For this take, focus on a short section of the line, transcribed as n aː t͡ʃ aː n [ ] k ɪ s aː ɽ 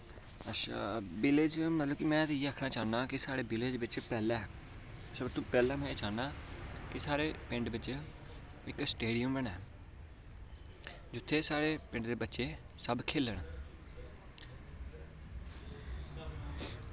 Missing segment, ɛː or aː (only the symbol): aː